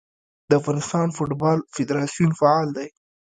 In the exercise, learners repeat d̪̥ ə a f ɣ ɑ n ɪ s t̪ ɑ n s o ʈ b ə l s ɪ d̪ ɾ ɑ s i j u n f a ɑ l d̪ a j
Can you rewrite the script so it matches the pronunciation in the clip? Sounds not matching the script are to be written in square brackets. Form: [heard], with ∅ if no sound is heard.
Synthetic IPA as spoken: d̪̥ ə a f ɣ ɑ n ɪ s t̪ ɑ n [f] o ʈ b [ɑ] l [f] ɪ d̪ ɾ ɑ s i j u n f a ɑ l d̪ a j